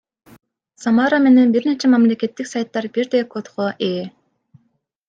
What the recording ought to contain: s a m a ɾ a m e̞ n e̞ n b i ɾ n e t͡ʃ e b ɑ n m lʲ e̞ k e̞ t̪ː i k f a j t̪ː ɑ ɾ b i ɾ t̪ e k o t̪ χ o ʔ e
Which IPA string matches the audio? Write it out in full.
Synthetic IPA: s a m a ɾ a m e̞ n e̞ n b i ɾ n e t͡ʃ e m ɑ m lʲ e̞ k e̞ t̪ː i k s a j t̪ː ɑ ɾ b i ɾ d̪ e k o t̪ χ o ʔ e